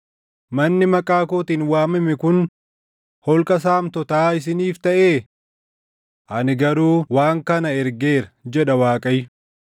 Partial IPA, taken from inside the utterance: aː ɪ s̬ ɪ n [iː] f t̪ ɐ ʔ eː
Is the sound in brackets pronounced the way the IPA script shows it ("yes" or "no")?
yes